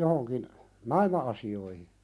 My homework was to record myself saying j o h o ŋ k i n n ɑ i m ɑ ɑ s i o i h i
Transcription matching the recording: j o h o ŋ k i n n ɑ i m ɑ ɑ s i o i h i